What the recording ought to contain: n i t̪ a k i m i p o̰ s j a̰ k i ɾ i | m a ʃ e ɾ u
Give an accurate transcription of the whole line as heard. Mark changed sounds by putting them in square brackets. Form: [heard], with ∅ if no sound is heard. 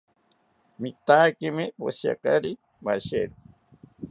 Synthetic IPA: [m] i t̪ a k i m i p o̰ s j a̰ k [a] ɾ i | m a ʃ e ɾ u